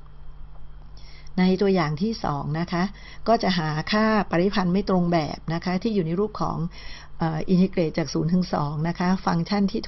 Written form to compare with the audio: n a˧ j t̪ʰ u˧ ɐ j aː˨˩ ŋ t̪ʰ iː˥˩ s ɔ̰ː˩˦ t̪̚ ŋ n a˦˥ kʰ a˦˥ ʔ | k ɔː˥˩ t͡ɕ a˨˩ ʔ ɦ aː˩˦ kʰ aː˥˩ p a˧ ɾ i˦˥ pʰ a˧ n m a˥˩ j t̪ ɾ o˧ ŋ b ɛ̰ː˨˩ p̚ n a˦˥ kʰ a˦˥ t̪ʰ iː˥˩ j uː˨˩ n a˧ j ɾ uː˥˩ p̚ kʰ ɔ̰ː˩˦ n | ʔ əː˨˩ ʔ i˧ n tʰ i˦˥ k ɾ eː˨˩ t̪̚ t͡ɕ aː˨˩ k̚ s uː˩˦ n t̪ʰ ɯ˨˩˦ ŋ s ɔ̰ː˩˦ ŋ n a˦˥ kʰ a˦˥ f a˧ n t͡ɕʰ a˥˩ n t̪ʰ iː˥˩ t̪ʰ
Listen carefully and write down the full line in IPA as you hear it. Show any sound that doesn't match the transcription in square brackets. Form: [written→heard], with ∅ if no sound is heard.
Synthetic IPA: n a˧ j [t̪ʰ→t̪] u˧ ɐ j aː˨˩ ŋ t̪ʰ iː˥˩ s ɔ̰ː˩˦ [t̪̚→∅] ŋ n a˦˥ kʰ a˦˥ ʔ | k ɔː˥˩ t͡ɕ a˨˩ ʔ ɦ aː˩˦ kʰ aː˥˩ p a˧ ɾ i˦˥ pʰ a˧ n m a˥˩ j t̪ ɾ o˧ ŋ b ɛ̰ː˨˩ p̚ n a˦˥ kʰ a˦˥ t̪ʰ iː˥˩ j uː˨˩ n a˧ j ɾ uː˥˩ p̚ kʰ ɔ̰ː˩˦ [n→ŋ] | ʔ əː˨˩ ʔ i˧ n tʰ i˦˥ k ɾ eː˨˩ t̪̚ t͡ɕ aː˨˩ k̚ s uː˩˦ n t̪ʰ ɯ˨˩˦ ŋ s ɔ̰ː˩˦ ŋ n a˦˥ kʰ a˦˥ f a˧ [n→ŋ] t͡ɕʰ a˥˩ n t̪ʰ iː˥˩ t̪ʰ